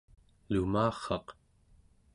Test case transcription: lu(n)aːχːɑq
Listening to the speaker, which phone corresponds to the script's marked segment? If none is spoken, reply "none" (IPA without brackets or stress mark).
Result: m